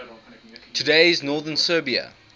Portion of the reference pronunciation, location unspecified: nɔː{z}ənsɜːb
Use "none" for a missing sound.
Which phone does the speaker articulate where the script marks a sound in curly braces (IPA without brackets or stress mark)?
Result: ð